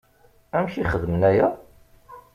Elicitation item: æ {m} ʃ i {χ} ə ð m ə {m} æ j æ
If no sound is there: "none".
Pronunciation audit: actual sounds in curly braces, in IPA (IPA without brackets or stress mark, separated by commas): m, χ, n